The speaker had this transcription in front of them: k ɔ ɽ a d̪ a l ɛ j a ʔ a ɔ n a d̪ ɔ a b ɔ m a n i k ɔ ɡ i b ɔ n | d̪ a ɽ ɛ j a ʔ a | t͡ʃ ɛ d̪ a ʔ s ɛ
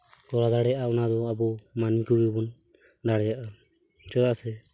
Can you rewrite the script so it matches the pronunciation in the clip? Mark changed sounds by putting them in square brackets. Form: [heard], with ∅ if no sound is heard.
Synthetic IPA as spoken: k ɔ [ɾ] a d̪ a [ɽ] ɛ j a ʔ a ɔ n a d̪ ɔ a b ɔ m a n i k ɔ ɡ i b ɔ n | d̪ a ɽ ɛ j a ʔ a | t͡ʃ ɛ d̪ a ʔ s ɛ